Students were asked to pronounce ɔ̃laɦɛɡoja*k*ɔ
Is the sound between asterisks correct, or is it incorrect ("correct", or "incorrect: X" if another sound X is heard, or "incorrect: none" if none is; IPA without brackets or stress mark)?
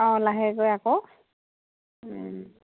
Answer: correct